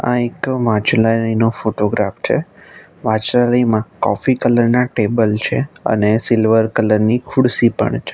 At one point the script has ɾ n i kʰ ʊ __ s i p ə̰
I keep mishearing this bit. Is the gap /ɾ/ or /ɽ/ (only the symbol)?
ɽ